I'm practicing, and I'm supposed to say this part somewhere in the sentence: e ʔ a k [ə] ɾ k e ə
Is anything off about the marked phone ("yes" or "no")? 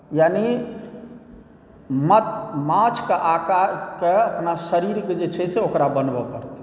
yes